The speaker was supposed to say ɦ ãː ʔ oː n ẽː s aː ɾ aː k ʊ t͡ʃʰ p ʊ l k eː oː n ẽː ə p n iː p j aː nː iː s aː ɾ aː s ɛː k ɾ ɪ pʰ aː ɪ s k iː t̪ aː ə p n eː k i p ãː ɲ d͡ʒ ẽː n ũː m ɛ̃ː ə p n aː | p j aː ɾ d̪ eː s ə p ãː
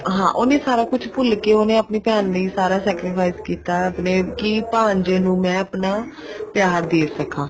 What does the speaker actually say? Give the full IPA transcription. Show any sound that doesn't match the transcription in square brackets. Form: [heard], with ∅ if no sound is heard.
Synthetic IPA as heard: ɦ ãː ʔ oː n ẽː s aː ɾ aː k ʊ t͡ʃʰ p ʊ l k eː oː n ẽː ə p n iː p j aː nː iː s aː ɾ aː s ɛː k ɾ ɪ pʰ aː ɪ s k iː t̪ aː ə p n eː k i p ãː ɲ d͡ʒ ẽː n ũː m ɛ̃ː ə p n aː | p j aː ɾ d̪ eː s ə [k] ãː